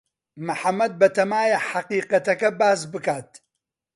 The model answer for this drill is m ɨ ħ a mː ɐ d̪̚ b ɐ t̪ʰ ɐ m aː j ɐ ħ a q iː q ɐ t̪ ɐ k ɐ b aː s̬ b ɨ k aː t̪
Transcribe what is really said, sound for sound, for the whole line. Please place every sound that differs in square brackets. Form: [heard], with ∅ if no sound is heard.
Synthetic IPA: m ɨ ħ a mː ɐ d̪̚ b ɐ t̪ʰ ɐ m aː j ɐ ħ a q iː q ɐ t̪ ɐ k ɐ b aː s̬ b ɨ k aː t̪